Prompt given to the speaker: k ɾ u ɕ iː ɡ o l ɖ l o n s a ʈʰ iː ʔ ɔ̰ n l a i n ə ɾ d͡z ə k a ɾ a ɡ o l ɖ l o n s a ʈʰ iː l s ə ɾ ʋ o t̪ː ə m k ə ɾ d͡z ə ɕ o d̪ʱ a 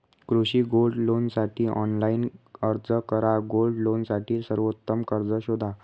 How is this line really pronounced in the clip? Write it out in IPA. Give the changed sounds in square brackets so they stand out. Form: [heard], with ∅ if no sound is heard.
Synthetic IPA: k ɾ u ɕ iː ɡ o l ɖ l o n s a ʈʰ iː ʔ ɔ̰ n l a i n ə ɾ d͡z ə k [ə] ɾ a ɡ o l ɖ l o n s a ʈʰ iː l s ə ɾ ʋ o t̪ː ə m k ə ɾ d͡z ə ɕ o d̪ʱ a